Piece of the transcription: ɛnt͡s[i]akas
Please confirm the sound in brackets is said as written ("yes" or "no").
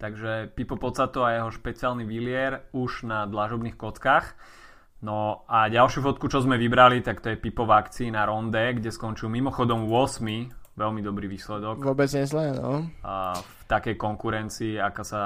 no